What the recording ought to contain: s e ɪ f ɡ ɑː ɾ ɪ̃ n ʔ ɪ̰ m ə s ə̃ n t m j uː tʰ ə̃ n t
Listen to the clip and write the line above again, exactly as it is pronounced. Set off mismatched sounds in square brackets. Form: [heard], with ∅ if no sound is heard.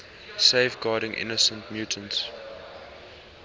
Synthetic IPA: s e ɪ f ɡ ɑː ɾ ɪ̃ [ŋ] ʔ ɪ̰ [n] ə s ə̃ n t m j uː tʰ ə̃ n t